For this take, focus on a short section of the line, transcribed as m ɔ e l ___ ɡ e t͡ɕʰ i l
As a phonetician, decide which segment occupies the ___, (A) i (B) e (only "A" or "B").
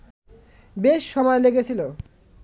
B